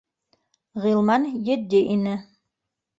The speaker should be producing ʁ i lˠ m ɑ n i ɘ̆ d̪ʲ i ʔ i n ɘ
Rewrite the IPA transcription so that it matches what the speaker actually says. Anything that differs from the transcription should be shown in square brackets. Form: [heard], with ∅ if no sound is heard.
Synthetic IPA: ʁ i lˠ m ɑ n [j] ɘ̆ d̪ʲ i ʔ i n ɘ